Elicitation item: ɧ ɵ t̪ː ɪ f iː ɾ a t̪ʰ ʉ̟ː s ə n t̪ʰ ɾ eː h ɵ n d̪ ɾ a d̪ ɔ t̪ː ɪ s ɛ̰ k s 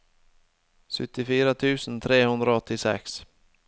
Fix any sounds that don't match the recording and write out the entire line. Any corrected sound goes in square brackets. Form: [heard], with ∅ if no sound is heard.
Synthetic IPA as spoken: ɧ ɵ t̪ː ɪ f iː ɾ a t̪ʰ ʉ̟ː s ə n t̪ʰ ɾ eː h ɵ n d̪ ɾ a [∅] ɔ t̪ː ɪ s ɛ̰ k s